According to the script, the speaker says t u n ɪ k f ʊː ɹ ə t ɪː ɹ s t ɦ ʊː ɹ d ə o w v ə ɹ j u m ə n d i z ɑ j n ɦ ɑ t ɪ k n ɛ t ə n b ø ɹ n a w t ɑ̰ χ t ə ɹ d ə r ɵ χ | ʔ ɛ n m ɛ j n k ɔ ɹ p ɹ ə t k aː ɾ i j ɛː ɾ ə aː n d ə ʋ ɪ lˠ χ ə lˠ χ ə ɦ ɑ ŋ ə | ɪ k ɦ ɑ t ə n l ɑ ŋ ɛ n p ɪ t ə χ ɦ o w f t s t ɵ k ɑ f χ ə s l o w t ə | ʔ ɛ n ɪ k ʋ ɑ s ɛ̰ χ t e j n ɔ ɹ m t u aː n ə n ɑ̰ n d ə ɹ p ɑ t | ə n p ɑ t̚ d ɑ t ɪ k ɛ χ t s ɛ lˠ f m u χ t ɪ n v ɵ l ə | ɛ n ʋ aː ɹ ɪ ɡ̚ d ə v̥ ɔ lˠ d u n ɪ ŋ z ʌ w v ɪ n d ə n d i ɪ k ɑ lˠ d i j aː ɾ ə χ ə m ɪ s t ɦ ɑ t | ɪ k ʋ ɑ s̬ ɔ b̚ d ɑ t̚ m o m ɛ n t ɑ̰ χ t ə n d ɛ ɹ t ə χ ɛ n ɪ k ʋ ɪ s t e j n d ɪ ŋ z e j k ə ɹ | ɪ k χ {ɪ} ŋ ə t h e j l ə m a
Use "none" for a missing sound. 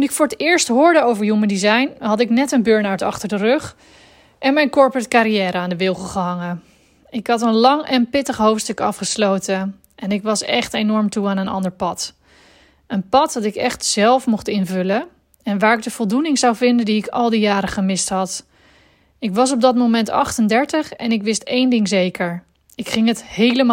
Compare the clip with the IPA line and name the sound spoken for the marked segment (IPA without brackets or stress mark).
ɪ